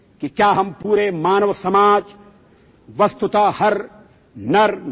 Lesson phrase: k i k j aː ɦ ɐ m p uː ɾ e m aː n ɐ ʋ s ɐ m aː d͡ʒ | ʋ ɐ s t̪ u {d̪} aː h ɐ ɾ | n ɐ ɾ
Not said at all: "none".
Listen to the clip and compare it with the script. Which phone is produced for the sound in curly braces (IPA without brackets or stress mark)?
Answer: t̪